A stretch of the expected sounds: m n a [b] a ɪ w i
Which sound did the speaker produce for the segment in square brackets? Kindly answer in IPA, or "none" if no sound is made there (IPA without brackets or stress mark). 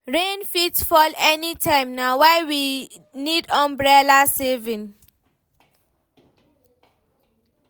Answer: w